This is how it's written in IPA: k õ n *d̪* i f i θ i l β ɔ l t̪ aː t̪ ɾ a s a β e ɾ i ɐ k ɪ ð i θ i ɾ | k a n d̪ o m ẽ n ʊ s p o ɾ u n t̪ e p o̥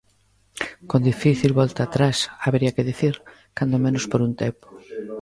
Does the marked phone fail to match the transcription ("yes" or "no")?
no